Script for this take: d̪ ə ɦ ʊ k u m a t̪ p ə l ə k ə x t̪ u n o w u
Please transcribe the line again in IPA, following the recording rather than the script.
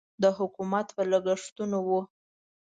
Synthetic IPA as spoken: d̪ ə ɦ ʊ k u m a t̪ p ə l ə ɡ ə ʂ t̪ u n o w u